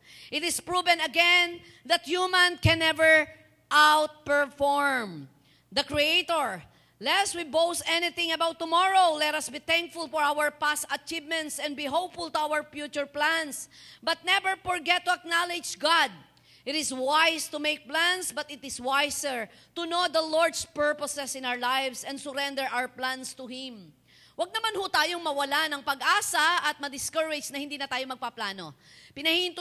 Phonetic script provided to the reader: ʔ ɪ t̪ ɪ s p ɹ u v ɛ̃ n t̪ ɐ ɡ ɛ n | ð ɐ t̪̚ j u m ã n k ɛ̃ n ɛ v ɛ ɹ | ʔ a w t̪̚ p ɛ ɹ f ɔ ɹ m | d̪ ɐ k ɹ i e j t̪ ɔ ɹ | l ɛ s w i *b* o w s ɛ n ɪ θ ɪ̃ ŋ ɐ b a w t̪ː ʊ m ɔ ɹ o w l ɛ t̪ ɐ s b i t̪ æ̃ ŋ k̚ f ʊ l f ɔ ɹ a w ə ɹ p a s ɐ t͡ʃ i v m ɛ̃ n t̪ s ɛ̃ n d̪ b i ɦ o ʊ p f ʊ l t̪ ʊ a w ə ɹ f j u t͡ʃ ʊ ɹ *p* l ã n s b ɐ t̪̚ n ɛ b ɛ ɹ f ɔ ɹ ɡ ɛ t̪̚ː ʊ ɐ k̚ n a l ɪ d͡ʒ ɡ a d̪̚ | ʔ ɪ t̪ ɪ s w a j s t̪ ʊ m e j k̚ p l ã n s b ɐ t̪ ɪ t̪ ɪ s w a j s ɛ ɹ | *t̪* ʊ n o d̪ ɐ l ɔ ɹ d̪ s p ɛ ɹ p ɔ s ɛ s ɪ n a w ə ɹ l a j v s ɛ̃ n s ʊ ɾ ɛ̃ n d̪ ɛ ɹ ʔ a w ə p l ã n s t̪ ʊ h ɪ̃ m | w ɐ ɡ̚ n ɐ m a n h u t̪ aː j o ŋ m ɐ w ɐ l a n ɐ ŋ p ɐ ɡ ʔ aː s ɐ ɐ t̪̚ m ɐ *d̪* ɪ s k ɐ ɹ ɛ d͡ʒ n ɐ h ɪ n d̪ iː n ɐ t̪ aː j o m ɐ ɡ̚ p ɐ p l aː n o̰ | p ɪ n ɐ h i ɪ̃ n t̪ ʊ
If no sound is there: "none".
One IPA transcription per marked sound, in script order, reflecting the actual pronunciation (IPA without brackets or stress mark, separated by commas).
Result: b, p, t̪, d̪